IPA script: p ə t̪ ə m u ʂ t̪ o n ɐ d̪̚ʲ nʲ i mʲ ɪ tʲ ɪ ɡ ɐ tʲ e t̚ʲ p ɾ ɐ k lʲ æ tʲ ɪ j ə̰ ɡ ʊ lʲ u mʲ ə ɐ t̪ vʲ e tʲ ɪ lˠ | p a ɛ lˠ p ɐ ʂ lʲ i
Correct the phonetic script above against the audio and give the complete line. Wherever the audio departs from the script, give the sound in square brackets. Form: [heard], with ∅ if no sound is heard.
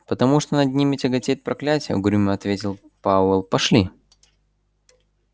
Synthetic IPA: p ə t̪ [ɐ] m u ʂ t̪ o n ɐ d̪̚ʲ nʲ i mʲ ɪ tʲ ɪ ɡ ɐ tʲ e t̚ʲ p ɾ ɐ k lʲ æ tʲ ɪ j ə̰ ɡ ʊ [ɾʲ] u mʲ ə ɐ t̪ vʲ e tʲ ɪ lˠ | p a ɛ lˠ p ɐ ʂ lʲ i